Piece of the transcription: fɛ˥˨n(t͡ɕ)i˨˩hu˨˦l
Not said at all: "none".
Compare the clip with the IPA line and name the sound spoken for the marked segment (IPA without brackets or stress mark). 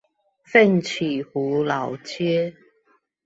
t͡ɕʰ